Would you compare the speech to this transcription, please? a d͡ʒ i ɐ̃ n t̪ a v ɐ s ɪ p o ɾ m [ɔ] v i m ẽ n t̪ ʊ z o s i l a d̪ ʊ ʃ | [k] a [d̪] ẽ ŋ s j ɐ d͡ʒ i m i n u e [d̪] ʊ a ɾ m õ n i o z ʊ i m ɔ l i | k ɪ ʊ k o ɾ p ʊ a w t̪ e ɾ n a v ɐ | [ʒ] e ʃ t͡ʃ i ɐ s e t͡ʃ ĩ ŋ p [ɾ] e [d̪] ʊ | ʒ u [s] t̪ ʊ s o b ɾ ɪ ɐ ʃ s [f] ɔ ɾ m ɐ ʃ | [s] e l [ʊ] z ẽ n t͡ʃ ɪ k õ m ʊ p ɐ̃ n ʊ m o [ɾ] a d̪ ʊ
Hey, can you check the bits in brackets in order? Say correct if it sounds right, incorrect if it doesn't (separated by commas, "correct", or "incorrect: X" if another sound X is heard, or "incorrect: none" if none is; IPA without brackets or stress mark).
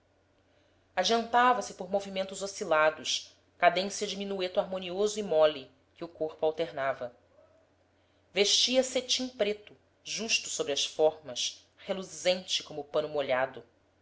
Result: incorrect: o, correct, correct, incorrect: t̪, incorrect: v, correct, incorrect: t̪, incorrect: ʃ, correct, incorrect: h, incorrect: u, incorrect: ʎ